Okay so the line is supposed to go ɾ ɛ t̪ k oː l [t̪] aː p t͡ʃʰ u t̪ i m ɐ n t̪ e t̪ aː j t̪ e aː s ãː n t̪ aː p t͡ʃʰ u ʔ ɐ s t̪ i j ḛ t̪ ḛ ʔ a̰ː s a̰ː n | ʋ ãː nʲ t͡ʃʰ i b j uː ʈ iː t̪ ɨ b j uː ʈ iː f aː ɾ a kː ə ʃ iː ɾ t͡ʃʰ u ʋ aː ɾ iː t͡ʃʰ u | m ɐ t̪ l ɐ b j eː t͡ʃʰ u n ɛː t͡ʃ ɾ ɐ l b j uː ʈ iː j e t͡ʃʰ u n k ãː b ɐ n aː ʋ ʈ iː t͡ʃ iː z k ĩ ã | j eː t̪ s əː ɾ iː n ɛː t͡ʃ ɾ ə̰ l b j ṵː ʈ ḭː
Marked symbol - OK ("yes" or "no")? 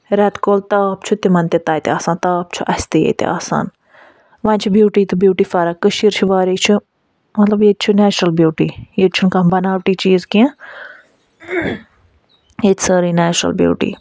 yes